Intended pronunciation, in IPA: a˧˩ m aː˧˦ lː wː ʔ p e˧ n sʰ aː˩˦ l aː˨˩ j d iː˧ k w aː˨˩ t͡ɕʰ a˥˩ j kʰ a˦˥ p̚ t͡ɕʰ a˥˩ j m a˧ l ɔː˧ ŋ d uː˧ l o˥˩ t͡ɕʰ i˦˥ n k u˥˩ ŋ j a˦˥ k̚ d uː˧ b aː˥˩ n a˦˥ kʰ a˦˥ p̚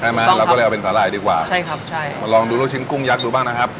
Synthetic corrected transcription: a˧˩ m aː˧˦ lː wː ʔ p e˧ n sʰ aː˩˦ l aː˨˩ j d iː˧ k w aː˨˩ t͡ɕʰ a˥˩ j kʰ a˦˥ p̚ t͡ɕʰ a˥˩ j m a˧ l ɔː˧ ŋ d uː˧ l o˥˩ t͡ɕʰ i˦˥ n k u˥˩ ŋ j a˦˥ k̚ d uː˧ b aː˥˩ n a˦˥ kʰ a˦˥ p̚

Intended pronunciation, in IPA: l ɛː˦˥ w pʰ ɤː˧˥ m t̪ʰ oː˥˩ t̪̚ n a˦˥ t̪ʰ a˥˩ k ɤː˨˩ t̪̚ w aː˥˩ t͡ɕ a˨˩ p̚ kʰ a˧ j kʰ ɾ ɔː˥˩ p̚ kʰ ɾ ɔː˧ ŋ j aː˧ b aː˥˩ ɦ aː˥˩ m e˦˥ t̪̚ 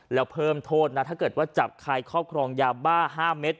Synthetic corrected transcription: l ɛː˦˥ w pʰ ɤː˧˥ m t̪ʰ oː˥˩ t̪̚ n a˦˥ t̪ʰ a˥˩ k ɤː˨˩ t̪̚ w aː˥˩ t͡ɕ a˨˩ p̚ kʰ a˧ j kʰ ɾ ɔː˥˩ p̚ kʰ ɾ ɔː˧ ŋ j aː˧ b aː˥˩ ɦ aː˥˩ m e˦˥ t̪̚

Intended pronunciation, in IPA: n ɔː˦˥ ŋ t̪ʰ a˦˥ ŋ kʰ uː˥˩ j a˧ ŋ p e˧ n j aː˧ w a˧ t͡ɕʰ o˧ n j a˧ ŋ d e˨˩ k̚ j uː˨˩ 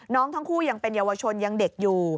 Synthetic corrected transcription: n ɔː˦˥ ŋ t̪ʰ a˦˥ ŋ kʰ uː˥˩ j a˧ ŋ p e˧ n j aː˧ w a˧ t͡ɕʰ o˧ n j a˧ ŋ d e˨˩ k̚ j uː˨˩

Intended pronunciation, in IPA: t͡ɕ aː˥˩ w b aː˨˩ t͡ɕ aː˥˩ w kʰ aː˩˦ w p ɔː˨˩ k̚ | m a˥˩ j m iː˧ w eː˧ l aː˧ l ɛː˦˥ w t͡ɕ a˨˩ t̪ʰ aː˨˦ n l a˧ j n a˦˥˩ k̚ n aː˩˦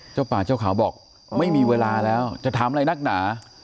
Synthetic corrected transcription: t͡ɕ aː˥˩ w p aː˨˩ t͡ɕ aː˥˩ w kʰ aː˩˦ w b ɔː˨˩ k̚ | m a˥˩ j m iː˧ w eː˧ l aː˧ l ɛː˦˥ w t͡ɕ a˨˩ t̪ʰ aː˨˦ m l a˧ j n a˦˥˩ k̚ n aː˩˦

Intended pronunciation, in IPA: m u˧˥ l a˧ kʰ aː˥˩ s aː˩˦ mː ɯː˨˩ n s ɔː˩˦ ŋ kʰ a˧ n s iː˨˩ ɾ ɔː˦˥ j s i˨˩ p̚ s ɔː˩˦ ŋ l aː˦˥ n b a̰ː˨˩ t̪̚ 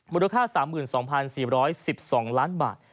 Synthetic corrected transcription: m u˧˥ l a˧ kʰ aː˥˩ s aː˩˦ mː ɯː˨˩ n s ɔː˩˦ ŋ pʰ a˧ n s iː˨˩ ɾ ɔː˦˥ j s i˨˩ p̚ s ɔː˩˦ ŋ l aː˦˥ n b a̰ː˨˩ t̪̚

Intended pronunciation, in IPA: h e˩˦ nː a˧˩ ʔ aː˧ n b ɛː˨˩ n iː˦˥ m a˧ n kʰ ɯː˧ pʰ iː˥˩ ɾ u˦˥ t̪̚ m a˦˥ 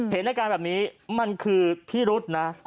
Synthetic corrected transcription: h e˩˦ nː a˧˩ k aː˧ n b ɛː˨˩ n iː˦˥ m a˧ n kʰ ɯː˧ pʰ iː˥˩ ɾ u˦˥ t̪̚ n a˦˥

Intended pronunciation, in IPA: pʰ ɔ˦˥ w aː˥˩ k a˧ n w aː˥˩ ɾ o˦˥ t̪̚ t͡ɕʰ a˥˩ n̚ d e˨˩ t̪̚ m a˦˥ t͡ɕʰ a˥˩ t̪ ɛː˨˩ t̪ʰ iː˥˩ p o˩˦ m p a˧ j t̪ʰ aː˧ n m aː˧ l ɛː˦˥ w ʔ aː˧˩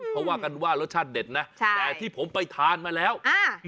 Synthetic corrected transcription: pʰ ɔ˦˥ w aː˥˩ k a˧ n w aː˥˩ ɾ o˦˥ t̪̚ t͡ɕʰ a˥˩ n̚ d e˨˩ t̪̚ n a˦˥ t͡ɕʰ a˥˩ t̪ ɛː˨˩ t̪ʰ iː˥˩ pʰ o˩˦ m p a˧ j t̪ʰ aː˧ n m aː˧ l ɛː˦˥ w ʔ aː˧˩

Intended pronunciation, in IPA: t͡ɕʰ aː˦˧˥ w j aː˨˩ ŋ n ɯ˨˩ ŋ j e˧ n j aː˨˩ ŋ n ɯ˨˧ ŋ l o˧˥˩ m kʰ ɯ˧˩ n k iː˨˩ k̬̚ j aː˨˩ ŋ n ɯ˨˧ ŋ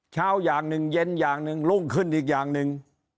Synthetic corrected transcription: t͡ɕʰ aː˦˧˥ w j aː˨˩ ŋ n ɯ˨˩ ŋ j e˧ n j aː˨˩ ŋ n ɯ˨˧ ŋ l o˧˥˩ ŋ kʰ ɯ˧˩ n ʔ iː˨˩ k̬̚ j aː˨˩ ŋ n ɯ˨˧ ŋ

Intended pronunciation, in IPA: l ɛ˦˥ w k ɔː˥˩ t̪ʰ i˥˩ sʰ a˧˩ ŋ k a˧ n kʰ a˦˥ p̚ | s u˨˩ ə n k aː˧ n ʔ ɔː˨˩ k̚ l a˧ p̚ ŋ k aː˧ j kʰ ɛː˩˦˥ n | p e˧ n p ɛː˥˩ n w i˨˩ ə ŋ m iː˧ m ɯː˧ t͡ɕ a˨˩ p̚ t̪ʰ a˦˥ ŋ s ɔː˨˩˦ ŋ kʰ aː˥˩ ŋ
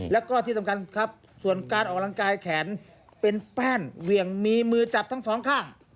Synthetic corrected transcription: l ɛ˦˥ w k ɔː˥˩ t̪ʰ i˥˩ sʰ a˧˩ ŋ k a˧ n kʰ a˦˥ p̚ | s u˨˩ ə n k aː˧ n ʔ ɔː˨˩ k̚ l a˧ ŋ k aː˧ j kʰ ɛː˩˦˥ n | p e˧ n p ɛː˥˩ n w i˨˩ ə ŋ m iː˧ m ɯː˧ t͡ɕ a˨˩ p̚ t̪ʰ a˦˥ ŋ s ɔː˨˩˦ ŋ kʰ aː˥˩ ŋ

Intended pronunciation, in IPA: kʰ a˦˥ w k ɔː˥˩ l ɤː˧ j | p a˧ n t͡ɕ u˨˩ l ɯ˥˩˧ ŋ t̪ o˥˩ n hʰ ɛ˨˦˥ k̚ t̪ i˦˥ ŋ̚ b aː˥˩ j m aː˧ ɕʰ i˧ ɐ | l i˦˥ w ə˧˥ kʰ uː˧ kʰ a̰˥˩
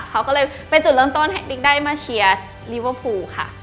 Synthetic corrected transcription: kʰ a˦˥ w k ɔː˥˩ l ɤː˧ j | p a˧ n t͡ɕ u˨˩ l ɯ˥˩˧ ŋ t̪ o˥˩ n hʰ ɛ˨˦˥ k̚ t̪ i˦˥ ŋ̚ d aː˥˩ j m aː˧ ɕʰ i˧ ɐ | l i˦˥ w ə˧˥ pʰ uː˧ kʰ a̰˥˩

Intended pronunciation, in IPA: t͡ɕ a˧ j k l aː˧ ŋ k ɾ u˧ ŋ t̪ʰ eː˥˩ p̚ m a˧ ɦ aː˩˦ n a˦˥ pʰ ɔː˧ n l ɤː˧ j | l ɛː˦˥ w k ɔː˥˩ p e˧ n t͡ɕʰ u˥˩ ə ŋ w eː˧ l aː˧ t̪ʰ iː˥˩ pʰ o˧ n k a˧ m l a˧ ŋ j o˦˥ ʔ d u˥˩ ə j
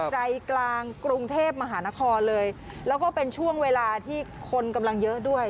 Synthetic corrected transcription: t͡ɕ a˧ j k l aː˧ ŋ k ɾ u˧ ŋ t̪ʰ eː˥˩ p̚ m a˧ ɦ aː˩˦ n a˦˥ kʰ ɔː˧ n l ɤː˧ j | l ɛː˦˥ w k ɔː˥˩ p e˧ n t͡ɕʰ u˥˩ ə ŋ w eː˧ l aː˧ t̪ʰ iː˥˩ kʰ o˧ n k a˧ m l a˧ ŋ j ɤ˦˥ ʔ d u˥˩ ə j

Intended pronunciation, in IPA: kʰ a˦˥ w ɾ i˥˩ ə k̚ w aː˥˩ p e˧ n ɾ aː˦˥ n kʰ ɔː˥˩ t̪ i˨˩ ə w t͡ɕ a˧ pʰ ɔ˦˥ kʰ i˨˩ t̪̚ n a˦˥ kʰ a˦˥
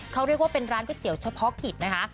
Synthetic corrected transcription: kʰ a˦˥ w ɾ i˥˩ ə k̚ w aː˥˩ p e˧ n ɾ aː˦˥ n k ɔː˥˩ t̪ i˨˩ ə w t͡ɕʰ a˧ pʰ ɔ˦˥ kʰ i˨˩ t̪̚ n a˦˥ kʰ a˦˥

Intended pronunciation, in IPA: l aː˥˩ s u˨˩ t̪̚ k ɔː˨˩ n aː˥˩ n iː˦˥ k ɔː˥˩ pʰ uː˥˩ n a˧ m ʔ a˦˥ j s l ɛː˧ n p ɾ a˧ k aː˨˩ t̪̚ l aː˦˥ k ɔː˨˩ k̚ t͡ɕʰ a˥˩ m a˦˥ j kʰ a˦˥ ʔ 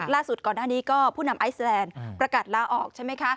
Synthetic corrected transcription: l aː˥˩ s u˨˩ t̪̚ k ɔː˨˩ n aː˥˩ n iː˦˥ k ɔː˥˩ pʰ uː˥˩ n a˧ m ʔ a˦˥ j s l ɛː˧ n p ɾ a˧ k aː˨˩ t̪̚ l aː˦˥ ʔ ɔː˨˩ k̚ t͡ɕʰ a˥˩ m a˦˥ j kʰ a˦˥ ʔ

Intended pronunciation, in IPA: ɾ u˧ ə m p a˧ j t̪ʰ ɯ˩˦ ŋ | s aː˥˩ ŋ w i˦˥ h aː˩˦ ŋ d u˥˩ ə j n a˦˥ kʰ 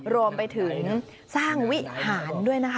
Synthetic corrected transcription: ɾ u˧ ə m p a˧ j t̪ʰ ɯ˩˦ ŋ | s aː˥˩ ŋ w i˦˥ h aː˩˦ n d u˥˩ ə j n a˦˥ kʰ

